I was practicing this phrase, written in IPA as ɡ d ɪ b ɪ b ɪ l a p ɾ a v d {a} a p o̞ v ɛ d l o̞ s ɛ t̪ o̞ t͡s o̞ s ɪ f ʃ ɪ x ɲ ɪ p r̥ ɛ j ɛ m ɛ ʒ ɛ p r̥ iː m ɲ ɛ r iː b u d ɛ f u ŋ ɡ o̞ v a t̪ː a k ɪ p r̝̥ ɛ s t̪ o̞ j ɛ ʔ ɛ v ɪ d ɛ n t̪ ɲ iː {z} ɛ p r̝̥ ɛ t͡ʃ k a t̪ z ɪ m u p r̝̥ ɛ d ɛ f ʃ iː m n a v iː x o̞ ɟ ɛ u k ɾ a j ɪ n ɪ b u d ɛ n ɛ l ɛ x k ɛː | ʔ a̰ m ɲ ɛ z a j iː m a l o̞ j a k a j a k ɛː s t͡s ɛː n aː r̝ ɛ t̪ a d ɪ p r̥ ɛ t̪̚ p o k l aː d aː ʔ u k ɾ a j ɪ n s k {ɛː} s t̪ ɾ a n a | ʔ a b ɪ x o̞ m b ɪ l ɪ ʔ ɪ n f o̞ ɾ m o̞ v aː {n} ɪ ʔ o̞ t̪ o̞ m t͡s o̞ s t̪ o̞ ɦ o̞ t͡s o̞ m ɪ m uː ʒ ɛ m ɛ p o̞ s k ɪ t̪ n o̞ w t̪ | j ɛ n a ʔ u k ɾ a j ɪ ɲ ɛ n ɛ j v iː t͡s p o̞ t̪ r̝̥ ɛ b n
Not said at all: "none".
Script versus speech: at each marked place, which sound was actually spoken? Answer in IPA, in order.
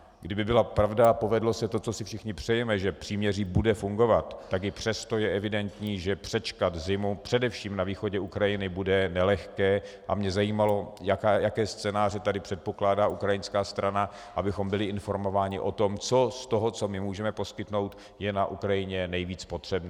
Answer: a, ʒ, aː, ɲ

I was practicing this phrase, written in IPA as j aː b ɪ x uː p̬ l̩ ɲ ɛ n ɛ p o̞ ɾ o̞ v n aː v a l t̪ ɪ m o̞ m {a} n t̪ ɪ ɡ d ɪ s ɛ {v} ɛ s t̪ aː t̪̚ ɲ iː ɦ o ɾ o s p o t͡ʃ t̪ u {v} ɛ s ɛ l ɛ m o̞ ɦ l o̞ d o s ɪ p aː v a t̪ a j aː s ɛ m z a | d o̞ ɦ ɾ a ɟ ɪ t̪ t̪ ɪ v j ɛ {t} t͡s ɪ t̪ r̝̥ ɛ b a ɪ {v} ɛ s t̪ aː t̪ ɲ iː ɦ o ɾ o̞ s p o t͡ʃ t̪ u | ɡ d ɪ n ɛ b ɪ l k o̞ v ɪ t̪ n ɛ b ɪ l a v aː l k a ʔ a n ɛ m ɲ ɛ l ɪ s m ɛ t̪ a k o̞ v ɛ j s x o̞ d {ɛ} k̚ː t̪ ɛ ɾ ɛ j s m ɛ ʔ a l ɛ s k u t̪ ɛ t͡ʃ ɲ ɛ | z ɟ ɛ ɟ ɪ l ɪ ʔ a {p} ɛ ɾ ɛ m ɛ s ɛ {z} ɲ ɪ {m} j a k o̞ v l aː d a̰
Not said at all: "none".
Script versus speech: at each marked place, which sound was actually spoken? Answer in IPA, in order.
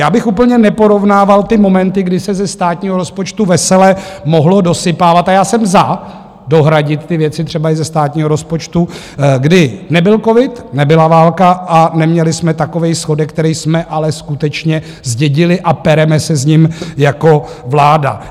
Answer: ɛ, z, v, t, z, ɛ, p, z, m

